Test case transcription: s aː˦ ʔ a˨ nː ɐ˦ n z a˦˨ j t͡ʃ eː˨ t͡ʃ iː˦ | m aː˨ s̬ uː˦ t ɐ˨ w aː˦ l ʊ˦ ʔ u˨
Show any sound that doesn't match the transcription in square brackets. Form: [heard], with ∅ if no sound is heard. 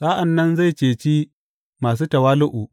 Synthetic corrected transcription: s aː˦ ʔ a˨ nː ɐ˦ n z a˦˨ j t͡ʃ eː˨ t͡ʃ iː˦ | m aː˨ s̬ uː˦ t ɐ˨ w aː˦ l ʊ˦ ʔ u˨